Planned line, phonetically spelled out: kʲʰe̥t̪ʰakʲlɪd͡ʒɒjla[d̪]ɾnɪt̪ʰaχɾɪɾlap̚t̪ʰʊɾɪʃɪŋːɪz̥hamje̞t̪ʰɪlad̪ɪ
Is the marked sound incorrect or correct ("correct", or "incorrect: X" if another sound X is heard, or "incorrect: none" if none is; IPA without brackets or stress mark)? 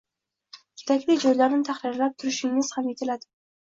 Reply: incorrect: none